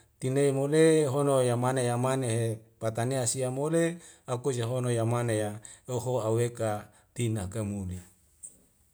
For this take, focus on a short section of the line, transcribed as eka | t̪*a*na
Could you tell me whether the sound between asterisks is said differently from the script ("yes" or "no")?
yes